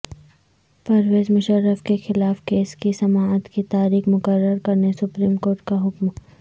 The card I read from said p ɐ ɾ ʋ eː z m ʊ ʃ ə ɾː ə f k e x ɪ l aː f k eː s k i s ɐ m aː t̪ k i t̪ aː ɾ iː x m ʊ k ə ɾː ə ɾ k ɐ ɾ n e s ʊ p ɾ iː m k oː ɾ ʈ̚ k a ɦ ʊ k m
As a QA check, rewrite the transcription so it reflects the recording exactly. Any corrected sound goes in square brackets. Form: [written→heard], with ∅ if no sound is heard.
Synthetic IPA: p ɐ ɾ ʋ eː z m ʊ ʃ ə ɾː ə f k e x ɪ l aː f k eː s k i s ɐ m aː t̪ k i t̪ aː ɾ iː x m ʊ k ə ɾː ə ɾ k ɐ ɾ n e s ʊ p ɾ iː m k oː ɾ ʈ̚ k a ɦ ʊ k m